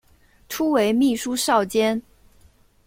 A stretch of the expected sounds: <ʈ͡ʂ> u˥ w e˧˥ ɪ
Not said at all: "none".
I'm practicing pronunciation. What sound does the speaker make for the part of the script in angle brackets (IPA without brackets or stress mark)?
ʈ͡ʂʰ